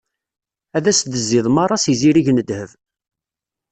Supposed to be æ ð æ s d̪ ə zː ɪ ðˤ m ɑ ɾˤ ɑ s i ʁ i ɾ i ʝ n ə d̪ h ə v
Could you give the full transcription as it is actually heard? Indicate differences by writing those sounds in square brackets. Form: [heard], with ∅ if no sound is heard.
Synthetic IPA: æ ð æ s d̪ ə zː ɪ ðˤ m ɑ ɾˤ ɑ s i [z] i ɾ i ʝ n ə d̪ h ə v